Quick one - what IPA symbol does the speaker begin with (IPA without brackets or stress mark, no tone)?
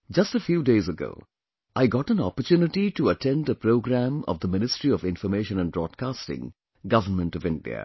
d͡ʒ